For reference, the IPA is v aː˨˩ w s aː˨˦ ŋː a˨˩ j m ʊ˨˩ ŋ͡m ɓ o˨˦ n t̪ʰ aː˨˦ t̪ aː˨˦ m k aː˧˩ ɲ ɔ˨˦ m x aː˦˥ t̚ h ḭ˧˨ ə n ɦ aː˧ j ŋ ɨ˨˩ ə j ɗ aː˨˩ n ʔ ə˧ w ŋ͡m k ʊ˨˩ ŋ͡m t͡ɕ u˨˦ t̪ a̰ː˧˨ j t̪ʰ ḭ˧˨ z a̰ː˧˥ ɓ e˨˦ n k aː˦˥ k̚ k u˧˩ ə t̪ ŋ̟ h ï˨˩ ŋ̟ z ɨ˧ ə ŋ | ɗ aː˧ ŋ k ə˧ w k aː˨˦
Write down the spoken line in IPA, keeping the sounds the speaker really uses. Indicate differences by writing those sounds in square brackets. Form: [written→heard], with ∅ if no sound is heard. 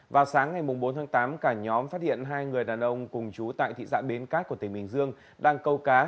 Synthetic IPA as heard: v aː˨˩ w s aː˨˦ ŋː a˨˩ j m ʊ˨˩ ŋ͡m ɓ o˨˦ n t̪ʰ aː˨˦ t̪ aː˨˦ m k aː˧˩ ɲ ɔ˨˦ m [x→f] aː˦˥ t̚ h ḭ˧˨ ə n ɦ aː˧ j ŋ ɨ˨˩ ə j ɗ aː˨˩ n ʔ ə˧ w ŋ͡m k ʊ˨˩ ŋ͡m t͡ɕ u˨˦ t̪ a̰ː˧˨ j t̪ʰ ḭ˧˨ z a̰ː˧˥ ɓ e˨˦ n k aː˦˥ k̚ k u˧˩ ə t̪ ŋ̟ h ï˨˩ ŋ̟ z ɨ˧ ə ŋ | ɗ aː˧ ŋ k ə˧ w k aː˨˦